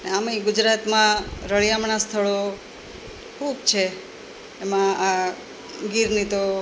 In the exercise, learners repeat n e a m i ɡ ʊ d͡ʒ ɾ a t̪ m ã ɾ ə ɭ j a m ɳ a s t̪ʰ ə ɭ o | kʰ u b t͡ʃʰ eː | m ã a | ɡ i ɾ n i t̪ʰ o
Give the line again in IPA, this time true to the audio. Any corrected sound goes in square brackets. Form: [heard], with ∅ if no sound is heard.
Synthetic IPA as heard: n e a m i ɡ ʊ d͡ʒ ɾ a t̪ m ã ɾ ə ɭ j a m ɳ a s t̪ʰ ə ɭ o | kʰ u b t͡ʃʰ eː | m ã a | ɡ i ɾ n i [t̪] o

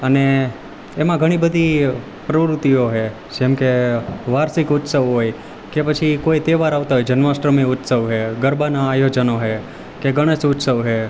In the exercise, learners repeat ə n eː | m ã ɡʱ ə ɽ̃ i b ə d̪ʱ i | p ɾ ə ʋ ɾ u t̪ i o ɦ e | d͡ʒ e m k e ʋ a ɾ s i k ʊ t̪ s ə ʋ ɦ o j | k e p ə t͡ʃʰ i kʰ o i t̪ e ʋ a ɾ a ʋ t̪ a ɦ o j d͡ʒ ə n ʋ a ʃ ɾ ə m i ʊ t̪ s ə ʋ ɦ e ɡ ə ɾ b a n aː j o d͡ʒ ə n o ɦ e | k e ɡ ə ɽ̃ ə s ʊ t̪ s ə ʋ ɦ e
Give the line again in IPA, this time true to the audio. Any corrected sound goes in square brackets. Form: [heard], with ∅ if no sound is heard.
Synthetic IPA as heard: ə n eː | m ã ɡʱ ə ɽ̃ i b ə d̪ʱ i | p ɾ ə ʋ ɾ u t̪ i o ɦ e | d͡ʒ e m k e ʋ a ɾ s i k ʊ t̪ s ə ʋ ɦ o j | k e p ə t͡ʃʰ i [k] o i t̪ e ʋ a ɾ a ʋ t̪ a ɦ o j d͡ʒ ə n ʋ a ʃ ɾ ə m i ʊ t̪ s ə ʋ ɦ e ɡ ə ɾ b a n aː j o d͡ʒ ə n o ɦ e | k e ɡ ə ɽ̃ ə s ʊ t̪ s ə ʋ ɦ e

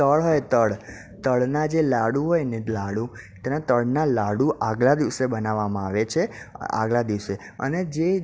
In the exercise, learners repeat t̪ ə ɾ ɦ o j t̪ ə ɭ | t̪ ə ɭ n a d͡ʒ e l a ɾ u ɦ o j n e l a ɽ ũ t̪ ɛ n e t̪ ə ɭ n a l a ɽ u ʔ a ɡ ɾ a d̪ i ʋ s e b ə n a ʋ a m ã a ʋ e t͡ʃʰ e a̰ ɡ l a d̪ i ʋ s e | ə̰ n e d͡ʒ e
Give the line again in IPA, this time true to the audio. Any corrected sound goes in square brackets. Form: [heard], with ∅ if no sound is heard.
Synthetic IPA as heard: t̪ ə [ɭ] ɦ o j t̪ ə ɭ | t̪ ə ɭ n a d͡ʒ e l a [ɽ] u ɦ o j n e l a ɽ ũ t̪ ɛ n [a] t̪ ə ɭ n a l a ɽ u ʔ a ɡ [l] a d̪ i ʋ s e b ə n a ʋ a m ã a ʋ e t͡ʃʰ e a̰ ɡ l a d̪ i ʋ s e | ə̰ n e d͡ʒ e

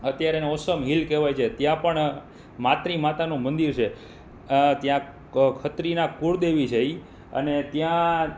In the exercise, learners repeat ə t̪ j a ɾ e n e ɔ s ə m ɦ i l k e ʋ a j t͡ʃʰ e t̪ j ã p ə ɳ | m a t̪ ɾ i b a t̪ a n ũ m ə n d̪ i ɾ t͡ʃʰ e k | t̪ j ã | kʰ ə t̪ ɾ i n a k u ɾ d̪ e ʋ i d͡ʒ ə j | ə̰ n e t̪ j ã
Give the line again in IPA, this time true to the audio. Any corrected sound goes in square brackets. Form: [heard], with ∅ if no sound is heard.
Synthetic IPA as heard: ə t̪ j a ɾ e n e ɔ s ə m ɦ i l k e ʋ a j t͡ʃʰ e t̪ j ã p ə ɳ | m a t̪ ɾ i [m] a t̪ a n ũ m ə n d̪ i ɾ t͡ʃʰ e [∅] | t̪ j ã | kʰ ə t̪ ɾ i n a k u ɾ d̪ e ʋ i d͡ʒ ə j | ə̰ n e t̪ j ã

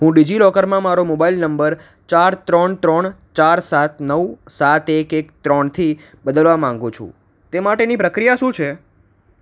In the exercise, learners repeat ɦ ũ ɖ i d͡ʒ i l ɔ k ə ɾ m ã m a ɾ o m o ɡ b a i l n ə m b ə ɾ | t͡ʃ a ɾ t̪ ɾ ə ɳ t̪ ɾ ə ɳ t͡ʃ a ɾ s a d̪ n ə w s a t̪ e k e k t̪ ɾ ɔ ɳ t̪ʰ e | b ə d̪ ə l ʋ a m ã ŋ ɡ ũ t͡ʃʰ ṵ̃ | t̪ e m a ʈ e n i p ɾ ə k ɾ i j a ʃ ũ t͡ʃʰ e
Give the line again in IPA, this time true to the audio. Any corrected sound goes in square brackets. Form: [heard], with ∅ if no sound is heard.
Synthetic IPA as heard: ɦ ũ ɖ i d͡ʒ i l ɔ k ə ɾ m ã m a ɾ o m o [∅] b a i l n ə m b ə ɾ | t͡ʃ a ɾ t̪ ɾ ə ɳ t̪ ɾ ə ɳ t͡ʃ a ɾ s a [t̪] n ə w s a t̪ e k e k t̪ ɾ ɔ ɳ t̪ʰ [i] | b ə d̪ ə l ʋ a m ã ŋ ɡ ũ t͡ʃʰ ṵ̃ | t̪ e m a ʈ e n i p ɾ ə k ɾ i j a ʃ ũ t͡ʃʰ e

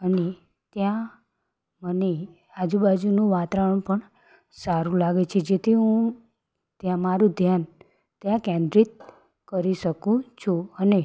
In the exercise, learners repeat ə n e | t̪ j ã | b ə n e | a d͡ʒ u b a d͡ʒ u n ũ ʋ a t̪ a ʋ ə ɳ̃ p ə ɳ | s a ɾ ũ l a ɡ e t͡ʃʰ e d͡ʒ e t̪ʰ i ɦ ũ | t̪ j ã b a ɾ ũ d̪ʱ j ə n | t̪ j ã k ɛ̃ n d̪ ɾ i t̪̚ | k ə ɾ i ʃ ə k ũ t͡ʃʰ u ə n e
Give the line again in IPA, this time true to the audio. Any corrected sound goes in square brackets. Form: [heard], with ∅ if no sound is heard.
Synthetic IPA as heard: ə n e | t̪ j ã | [m] ə n e | a d͡ʒ u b a d͡ʒ u n ũ ʋ a t̪ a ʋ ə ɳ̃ p ə ɳ | s a ɾ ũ l a ɡ e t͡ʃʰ e d͡ʒ e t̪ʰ i ɦ ũ | t̪ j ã [m] a ɾ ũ d̪ʱ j [a] n | t̪ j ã k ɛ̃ n d̪ ɾ i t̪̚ | k ə ɾ i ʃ ə k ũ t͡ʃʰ u ə n e

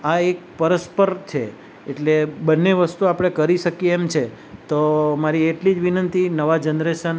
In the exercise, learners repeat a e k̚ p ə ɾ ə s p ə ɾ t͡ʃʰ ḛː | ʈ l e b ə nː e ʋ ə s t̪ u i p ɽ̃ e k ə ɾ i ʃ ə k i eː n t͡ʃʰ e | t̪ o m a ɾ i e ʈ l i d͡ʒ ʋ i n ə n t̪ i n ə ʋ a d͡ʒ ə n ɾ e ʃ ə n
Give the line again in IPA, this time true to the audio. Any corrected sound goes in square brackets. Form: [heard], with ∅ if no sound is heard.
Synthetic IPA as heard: a e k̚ p ə ɾ ə s p ə ɾ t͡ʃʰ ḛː | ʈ l e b ə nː e ʋ ə s t̪ u [a] p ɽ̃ e k ə ɾ i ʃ ə k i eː [m] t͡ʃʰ e | t̪ o m a ɾ i e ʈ l i d͡ʒ ʋ i n ə n t̪ i n ə ʋ a d͡ʒ ə n ɾ e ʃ ə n

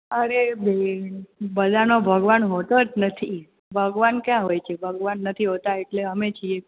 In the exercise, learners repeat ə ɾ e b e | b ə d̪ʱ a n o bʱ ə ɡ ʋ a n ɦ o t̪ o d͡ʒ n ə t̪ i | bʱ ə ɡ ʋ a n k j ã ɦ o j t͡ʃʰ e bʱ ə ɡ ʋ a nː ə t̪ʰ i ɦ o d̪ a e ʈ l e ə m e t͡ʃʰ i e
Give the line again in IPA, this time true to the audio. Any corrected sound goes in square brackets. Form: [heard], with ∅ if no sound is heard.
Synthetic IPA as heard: ə ɾ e b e | b ə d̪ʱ a n o bʱ ə ɡ ʋ a n ɦ o t̪ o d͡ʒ n ə [t̪ʰ] i | bʱ ə ɡ ʋ a n k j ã ɦ o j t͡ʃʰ e bʱ ə ɡ ʋ a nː ə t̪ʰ i ɦ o [t̪] a e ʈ l e ə m e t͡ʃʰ i e

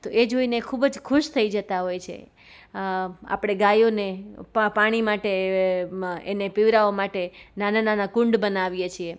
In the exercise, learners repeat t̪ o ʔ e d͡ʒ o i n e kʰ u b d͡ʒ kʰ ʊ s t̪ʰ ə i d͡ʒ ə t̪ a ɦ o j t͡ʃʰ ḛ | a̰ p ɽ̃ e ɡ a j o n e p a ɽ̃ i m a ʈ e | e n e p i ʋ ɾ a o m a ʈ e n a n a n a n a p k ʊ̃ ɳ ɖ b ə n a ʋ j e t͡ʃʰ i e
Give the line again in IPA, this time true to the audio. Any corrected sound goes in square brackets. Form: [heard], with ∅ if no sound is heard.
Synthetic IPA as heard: t̪ o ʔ e d͡ʒ o i n e kʰ u b d͡ʒ kʰ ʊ [ʃ] t̪ʰ ə i d͡ʒ ə t̪ a ɦ o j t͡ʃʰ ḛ | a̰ p ɽ̃ e ɡ a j o n e p a ɽ̃ i m a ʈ e | e n e p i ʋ ɾ a o m a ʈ e n a n a n a n a [∅] k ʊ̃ ɳ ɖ b ə n a ʋ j e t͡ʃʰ i e

